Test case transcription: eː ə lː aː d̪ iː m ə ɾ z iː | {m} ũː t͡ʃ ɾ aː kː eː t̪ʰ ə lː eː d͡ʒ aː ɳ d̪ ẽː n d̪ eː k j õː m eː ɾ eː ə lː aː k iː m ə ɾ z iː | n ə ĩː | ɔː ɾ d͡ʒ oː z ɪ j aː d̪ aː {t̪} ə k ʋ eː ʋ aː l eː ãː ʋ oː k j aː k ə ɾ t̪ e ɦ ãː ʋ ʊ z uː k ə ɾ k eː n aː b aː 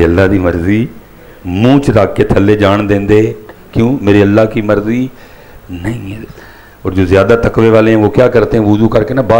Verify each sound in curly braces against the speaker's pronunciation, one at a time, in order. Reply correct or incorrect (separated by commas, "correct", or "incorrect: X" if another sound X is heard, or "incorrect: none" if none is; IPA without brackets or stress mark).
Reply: correct, correct